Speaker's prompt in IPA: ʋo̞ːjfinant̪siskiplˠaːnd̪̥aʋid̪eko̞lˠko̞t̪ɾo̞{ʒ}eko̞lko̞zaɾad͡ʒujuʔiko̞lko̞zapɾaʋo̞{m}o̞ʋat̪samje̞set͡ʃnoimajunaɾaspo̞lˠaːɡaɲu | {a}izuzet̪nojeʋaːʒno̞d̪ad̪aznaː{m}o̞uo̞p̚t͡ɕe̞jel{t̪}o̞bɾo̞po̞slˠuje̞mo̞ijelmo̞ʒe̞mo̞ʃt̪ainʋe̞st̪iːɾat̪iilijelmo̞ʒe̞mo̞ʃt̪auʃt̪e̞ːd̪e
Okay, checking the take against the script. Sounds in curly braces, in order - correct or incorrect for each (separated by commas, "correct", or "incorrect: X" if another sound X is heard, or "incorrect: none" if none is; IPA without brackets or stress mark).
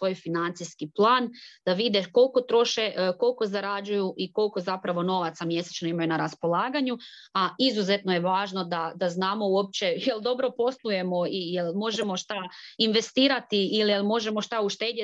incorrect: ʃ, incorrect: n, correct, correct, incorrect: d̪